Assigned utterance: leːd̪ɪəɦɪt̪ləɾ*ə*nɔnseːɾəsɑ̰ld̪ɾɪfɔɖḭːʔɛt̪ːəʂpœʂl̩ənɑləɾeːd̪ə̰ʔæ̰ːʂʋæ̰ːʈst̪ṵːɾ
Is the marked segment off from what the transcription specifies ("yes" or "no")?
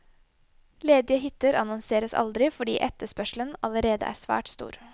yes